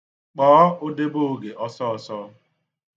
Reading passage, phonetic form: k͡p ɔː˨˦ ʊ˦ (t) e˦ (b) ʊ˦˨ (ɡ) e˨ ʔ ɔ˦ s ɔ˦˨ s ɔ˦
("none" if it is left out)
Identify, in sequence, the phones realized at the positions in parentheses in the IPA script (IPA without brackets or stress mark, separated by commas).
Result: d, b, ɡ